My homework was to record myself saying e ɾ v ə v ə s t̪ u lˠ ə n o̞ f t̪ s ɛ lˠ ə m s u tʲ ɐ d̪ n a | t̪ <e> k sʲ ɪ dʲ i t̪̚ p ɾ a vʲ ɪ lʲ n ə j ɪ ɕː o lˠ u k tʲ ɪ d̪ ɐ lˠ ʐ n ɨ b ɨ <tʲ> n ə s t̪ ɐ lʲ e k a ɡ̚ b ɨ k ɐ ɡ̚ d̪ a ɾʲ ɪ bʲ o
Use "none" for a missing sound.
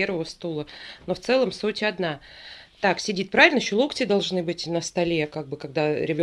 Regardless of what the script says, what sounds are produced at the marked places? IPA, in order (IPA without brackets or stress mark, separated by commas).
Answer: a, tʲ